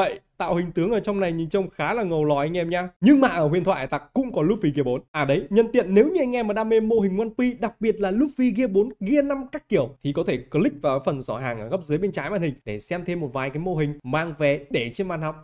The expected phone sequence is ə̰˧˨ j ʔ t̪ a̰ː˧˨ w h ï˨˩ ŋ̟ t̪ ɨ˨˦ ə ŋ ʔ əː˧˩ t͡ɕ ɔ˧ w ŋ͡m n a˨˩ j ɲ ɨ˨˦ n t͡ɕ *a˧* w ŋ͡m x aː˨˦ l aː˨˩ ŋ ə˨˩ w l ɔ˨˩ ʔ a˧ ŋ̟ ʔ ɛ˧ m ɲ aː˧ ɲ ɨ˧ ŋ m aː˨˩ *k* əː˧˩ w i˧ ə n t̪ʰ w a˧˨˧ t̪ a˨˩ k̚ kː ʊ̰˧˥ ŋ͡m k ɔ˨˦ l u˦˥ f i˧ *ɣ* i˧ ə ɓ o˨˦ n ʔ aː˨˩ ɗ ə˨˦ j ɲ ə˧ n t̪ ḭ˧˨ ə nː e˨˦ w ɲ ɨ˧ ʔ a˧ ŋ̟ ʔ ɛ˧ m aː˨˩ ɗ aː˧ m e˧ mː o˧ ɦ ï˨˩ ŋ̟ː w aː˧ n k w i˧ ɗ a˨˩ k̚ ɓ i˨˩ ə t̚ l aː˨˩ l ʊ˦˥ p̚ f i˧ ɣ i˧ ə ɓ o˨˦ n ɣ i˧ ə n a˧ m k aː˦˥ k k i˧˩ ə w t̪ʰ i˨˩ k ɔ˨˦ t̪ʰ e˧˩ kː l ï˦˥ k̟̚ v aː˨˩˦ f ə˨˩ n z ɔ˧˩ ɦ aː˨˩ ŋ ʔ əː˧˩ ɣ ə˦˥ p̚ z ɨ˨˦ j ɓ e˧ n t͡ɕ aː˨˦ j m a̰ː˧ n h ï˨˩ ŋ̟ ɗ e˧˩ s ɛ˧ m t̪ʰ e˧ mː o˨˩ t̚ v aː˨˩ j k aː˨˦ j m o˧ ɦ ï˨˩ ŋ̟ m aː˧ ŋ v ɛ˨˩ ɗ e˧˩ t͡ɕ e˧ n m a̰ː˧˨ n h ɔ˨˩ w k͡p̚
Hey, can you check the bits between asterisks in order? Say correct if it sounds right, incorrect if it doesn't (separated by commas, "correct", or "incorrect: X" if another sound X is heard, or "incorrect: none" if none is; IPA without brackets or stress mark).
incorrect: ə˧, incorrect: ʔ, correct